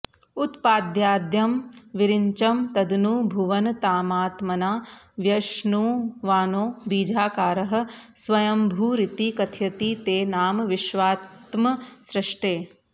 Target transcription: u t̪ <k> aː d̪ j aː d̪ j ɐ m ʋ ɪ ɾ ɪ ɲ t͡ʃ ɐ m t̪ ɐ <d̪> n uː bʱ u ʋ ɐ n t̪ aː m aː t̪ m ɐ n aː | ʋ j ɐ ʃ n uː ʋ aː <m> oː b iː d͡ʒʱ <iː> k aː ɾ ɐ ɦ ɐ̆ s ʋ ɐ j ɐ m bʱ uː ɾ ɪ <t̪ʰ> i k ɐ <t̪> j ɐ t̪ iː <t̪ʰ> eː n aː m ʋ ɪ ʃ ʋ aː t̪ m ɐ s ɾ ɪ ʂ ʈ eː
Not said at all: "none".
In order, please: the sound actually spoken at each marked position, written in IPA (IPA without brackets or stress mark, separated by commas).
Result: p, d̪, n, aː, t̪, t̪ʰ, t̪